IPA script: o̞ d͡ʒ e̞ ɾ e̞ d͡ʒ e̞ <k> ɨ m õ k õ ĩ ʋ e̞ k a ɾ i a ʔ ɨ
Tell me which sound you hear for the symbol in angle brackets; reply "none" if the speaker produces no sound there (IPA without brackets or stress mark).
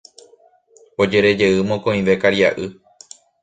none